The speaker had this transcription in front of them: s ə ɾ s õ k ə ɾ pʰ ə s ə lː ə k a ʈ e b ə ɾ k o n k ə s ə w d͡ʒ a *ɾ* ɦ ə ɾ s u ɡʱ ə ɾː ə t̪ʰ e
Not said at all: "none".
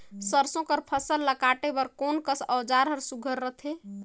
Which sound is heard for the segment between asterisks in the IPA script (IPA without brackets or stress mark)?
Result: ɾ